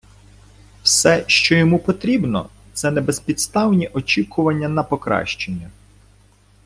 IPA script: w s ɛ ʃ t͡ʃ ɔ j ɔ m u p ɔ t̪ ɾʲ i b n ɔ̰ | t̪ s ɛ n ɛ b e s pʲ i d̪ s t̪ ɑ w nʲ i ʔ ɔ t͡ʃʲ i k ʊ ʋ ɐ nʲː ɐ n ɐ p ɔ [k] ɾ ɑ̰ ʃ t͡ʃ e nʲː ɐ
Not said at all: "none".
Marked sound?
k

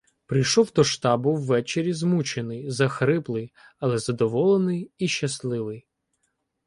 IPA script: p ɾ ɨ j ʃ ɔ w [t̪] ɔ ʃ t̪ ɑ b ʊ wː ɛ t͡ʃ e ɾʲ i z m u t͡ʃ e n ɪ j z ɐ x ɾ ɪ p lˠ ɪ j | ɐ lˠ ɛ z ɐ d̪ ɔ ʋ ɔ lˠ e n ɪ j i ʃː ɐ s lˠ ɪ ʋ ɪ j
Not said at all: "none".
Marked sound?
d̪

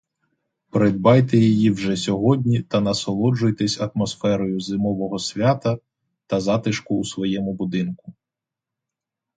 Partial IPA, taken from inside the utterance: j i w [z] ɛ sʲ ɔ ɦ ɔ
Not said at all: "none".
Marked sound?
ʒ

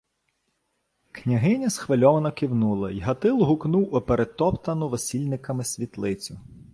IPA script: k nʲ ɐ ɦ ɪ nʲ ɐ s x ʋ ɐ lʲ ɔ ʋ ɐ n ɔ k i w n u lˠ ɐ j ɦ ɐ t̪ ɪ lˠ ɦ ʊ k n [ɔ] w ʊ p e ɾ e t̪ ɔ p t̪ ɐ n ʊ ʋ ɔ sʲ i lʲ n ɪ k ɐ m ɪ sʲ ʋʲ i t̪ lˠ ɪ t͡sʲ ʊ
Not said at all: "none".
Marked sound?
u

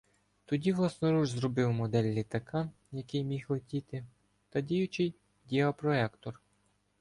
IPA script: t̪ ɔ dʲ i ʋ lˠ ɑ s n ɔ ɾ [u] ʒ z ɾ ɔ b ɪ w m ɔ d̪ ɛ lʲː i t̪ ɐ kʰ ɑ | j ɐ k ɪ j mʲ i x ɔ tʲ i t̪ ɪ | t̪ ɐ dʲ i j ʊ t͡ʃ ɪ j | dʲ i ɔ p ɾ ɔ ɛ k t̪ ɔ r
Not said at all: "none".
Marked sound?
u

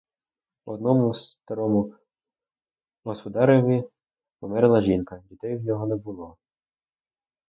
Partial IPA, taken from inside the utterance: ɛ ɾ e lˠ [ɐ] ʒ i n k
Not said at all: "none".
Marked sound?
ɐ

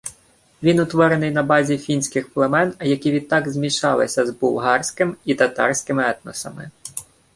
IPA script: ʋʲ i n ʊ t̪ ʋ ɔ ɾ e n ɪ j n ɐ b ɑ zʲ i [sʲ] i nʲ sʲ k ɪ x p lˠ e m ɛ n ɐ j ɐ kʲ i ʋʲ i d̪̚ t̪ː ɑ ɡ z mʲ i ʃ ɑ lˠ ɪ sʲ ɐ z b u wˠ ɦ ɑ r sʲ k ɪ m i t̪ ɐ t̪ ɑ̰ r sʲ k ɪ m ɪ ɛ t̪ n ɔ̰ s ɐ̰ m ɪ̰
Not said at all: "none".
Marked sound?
fʲ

